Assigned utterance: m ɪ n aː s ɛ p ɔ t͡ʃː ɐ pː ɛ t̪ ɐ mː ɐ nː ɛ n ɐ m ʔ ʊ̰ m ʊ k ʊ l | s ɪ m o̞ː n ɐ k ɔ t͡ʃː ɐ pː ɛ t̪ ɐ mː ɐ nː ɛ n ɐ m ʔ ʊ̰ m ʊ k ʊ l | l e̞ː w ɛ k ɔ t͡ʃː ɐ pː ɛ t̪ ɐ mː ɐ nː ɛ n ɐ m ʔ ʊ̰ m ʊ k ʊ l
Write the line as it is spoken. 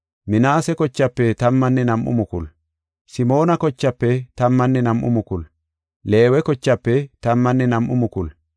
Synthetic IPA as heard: m ɪ n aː s ɛ k ɔ t͡ʃː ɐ pː ɛ t̪ ɐ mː ɐ nː ɛ n ɐ m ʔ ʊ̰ m ʊ k ʊ l | s ɪ m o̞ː n ɐ k ɔ t͡ʃː ɐ pː ɛ t̪ ɐ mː ɐ nː ɛ n ɐ m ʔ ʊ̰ m ʊ k ʊ l | l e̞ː w ɛ k ɔ t͡ʃː ɐ pː ɛ t̪ ɐ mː ɐ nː ɛ n ɐ m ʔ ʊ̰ m ʊ k ʊ l